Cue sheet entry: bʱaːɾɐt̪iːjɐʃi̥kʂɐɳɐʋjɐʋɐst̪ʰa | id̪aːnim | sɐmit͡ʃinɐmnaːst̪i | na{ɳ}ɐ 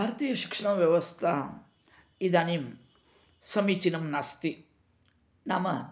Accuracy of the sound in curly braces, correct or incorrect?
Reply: incorrect